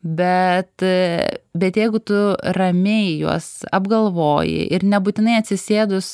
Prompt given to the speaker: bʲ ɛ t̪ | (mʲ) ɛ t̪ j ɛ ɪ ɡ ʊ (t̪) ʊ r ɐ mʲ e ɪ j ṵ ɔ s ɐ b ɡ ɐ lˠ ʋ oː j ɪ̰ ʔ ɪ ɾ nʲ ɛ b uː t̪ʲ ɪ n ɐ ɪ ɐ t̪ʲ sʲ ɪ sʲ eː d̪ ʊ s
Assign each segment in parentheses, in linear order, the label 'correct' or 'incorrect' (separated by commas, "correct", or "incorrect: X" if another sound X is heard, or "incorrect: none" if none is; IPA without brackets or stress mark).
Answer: incorrect: bʲ, correct